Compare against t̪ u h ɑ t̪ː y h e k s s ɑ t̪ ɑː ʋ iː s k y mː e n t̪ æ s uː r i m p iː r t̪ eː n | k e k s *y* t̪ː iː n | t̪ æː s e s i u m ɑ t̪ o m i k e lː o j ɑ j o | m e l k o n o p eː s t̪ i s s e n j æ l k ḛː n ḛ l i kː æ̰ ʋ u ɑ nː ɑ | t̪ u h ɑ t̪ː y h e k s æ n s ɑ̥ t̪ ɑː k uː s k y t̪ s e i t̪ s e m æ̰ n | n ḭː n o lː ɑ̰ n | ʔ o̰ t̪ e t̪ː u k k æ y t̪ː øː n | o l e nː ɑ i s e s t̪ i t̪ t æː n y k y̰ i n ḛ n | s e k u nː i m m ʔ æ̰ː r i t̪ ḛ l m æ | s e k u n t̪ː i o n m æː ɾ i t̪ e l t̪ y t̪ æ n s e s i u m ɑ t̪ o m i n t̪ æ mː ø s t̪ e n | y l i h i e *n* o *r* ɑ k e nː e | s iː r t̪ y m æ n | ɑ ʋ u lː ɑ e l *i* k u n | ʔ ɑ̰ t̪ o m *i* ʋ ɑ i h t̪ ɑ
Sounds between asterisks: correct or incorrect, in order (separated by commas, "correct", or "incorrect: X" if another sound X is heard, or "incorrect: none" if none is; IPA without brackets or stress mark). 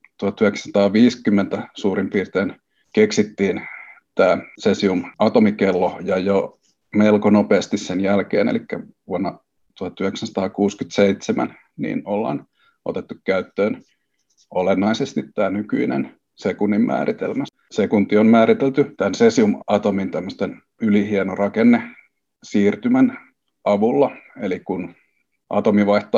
incorrect: i, correct, correct, correct, correct